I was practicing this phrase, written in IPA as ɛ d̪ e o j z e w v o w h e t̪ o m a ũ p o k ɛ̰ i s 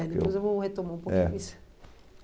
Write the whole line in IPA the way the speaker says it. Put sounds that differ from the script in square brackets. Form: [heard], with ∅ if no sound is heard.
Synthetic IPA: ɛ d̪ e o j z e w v o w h e t̪ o m a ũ p o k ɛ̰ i s